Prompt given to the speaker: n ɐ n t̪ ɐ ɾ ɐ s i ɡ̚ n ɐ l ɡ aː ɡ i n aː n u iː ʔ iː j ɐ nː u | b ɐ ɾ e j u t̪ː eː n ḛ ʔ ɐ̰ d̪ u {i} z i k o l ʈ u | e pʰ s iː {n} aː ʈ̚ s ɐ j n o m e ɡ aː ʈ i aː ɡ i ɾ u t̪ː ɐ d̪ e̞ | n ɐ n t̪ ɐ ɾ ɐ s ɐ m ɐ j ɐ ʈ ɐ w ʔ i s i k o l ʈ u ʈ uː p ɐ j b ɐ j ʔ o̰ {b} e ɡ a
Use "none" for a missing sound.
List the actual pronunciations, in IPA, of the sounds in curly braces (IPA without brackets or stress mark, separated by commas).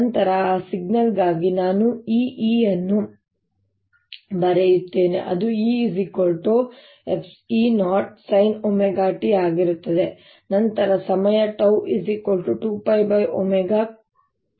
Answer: iː, n, m